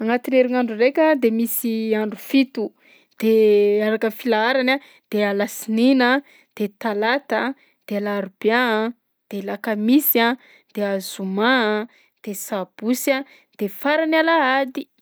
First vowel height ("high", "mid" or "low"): low